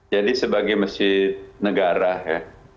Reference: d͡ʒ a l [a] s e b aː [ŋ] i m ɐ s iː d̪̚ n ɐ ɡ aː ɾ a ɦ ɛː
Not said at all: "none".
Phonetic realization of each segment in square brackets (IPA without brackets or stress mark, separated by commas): i, ɡ